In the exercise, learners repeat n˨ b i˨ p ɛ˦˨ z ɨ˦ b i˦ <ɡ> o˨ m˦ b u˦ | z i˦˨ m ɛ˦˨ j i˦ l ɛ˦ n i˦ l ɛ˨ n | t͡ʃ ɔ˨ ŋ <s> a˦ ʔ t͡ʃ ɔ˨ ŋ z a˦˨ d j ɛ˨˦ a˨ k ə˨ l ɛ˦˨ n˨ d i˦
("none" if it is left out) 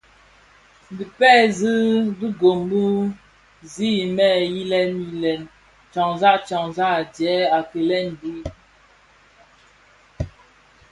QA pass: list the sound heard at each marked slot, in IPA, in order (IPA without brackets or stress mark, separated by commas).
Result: ɡ, z